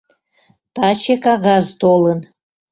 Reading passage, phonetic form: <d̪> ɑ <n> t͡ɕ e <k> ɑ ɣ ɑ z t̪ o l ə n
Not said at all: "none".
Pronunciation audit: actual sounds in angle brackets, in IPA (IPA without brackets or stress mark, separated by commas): t̪, none, k